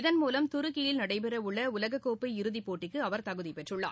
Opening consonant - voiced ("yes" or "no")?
yes